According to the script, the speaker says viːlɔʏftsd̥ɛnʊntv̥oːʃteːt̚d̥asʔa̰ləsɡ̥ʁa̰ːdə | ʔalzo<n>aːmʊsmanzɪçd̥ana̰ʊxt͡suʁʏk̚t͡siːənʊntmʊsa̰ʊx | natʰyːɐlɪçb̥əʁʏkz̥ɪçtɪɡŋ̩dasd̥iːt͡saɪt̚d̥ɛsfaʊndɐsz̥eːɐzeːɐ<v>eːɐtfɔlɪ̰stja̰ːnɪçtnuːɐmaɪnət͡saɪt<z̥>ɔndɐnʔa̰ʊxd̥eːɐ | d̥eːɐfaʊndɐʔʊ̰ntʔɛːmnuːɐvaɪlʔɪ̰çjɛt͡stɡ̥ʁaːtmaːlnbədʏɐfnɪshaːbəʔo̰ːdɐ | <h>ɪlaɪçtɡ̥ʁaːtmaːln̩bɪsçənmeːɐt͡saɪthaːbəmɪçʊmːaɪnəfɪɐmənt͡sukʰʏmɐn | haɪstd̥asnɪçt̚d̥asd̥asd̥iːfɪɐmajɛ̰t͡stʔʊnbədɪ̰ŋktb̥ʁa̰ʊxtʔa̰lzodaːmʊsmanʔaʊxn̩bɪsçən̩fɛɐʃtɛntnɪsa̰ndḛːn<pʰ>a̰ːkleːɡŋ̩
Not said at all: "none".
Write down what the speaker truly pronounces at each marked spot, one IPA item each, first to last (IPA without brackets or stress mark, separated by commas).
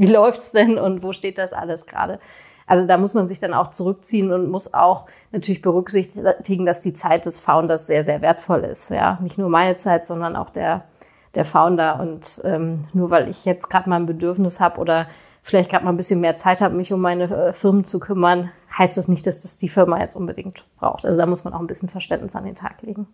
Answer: d, v, z̥, f, tʰ